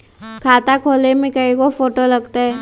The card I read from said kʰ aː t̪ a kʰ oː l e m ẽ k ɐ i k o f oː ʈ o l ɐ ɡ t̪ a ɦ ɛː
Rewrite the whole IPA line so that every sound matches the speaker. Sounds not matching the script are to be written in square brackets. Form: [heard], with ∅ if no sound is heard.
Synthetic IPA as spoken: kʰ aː t̪ a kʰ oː l e m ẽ k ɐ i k o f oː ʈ o l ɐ ɡ t̪ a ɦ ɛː